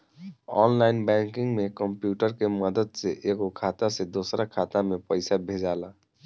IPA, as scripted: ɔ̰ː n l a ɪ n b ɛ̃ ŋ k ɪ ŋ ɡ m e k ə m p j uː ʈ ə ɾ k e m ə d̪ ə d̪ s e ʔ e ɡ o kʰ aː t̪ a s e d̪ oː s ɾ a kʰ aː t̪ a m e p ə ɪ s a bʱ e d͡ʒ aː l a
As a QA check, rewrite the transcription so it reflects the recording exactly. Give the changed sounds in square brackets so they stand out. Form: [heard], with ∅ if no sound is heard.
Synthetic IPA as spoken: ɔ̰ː n l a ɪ n b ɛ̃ ŋ k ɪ ŋ ɡ m e k ə m p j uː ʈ ə ɾ k e m ə d̪ ə d̪ s e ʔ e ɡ o kʰ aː t̪ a s e d̪ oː s ɾ a kʰ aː t̪ a m e p ə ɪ s a bʱ e d͡ʒ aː l a

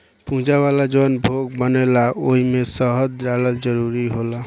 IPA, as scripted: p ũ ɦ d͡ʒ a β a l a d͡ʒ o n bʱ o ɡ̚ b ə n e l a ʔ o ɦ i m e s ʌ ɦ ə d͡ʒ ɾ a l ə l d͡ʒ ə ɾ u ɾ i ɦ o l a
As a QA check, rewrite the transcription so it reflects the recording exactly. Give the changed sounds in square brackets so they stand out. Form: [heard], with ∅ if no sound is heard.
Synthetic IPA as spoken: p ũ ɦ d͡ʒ a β a l a d͡ʒ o n bʱ o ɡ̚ b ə n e l a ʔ o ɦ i m e s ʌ ɦ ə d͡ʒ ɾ a l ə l d͡ʒ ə ɾ u ɾ i ɦ o l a

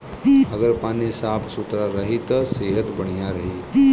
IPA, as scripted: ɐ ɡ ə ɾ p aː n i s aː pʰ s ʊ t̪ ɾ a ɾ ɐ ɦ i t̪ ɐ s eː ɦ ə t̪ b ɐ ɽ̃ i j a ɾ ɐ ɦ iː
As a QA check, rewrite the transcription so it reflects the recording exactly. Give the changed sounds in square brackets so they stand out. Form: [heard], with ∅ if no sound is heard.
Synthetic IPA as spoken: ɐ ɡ ə ɾ p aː n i s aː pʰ s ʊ t̪ ɾ a ɾ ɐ ɦ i t̪ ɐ s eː ɦ ə t̪ b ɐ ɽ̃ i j a ɾ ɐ ɦ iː

